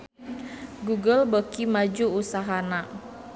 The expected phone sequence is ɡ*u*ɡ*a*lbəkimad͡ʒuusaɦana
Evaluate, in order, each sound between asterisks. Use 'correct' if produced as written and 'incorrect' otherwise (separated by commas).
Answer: correct, incorrect